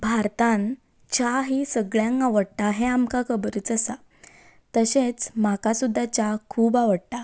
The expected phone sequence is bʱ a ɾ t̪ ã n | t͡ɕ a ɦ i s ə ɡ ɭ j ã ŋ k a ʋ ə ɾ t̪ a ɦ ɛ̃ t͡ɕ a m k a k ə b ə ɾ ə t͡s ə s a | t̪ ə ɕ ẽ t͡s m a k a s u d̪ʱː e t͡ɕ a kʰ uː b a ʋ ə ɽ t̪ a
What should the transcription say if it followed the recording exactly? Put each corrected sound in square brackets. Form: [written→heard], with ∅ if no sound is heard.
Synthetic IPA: bʱ a ɾ t̪ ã n | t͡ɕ a ɦ i s ə ɡ ɭ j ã ŋ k a ʋ ə [ɾ→ɽ] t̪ a ɦ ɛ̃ [t͡ɕ→∅] a m k a k ə b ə ɾ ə t͡s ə s a | t̪ ə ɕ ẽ t͡s m a k a s u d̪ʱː [e→a] t͡ɕ a kʰ uː b a ʋ ə ɽ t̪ a